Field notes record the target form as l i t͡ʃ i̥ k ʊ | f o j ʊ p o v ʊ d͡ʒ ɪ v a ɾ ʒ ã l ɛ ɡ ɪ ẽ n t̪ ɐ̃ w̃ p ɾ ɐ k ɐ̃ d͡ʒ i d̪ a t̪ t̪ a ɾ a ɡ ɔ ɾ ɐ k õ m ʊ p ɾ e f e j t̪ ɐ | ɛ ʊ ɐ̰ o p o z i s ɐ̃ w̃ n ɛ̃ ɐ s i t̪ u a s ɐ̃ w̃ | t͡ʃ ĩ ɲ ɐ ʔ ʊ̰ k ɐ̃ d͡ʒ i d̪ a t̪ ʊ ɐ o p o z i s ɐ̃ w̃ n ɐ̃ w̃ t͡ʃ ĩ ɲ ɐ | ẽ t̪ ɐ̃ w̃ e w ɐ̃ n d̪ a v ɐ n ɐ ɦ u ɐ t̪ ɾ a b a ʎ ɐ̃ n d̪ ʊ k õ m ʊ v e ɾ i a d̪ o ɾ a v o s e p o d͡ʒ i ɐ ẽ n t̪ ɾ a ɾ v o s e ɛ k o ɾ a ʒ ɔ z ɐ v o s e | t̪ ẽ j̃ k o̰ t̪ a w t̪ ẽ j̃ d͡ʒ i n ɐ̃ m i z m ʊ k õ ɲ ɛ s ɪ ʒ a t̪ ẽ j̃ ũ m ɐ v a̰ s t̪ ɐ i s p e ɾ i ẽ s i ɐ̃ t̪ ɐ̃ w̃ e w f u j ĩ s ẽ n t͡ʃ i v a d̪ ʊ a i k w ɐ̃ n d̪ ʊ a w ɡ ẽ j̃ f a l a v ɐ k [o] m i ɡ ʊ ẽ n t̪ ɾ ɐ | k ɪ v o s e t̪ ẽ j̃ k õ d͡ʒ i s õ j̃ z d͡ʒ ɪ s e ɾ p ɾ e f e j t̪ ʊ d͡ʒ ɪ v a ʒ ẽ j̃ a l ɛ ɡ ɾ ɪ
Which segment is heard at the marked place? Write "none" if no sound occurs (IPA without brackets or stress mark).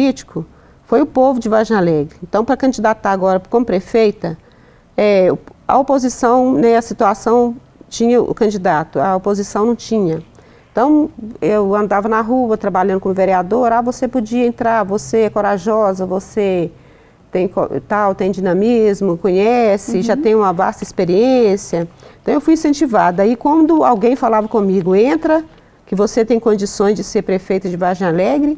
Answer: õ